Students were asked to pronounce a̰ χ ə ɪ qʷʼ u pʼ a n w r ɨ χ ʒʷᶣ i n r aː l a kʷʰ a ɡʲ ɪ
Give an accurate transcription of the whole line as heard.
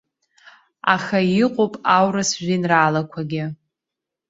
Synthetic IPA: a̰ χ a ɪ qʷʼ o pʼ a w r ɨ s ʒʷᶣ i n r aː l a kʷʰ a ɡʲ ɪ